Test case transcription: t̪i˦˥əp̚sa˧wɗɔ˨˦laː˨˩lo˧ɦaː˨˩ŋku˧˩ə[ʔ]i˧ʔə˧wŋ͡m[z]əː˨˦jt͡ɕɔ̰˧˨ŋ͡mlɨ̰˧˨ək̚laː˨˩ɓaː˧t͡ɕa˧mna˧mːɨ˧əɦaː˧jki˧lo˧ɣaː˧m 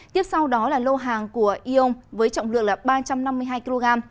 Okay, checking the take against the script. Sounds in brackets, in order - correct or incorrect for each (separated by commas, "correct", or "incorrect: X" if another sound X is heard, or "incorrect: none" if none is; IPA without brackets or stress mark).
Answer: correct, incorrect: v